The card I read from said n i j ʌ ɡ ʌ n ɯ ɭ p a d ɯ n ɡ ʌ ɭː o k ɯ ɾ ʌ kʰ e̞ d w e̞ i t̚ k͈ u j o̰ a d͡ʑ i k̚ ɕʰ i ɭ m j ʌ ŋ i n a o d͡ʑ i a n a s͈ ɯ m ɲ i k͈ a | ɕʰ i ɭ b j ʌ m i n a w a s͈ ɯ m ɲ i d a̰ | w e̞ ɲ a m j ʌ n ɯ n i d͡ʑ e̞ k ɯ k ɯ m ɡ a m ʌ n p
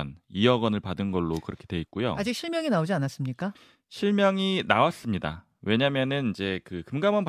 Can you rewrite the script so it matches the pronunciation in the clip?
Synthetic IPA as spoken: n i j ʌ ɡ ʌ n ɯ ɭ p a d ɯ n ɡ ʌ ɭː o k ɯ ɾ ʌ kʰ e̞ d w e̞ i t̚ k͈ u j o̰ a d͡ʑ i k̚ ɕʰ i ɭ m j ʌ ŋ i n a o d͡ʑ i a n a s͈ ɯ m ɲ i k͈ a | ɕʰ i ɭ m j ʌ ŋ i n a w a s͈ ɯ m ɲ i d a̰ | w e̞ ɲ a m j ʌ n ɯ n i d͡ʑ e̞ k ɯ k ɯ m ɡ a m ʌ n p